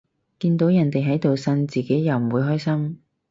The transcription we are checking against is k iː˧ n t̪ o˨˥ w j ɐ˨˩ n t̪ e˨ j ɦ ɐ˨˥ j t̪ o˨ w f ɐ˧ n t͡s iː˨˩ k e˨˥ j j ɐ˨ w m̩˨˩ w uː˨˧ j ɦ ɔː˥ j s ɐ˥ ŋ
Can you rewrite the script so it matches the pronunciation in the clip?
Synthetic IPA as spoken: k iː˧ n t̪ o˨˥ w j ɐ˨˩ n t̪ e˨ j ɦ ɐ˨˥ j t̪ o˨ w s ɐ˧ n t͡s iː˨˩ k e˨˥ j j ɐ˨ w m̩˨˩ w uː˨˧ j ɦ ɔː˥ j s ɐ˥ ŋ